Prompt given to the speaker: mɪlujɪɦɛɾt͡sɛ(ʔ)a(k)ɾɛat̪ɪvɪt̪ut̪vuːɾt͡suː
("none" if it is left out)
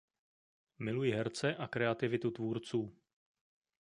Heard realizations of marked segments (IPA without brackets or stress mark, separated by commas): ʔ, k